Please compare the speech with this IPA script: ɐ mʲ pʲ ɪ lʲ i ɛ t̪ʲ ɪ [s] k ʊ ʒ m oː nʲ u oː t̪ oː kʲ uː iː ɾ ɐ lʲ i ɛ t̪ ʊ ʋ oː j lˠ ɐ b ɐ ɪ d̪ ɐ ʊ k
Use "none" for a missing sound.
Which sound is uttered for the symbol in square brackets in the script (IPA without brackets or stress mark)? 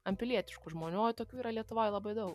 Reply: ʃ